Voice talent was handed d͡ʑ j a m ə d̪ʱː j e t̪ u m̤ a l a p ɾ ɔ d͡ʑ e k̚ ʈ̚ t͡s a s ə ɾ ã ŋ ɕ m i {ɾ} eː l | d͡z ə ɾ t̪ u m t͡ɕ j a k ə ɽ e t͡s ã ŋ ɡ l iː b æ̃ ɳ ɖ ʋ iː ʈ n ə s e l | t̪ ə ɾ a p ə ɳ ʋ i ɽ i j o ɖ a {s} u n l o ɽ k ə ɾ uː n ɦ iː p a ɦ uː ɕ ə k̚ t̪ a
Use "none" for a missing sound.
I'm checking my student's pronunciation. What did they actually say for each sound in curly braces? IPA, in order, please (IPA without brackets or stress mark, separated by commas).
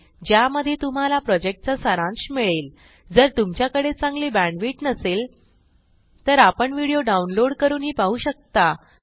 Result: ɭ, none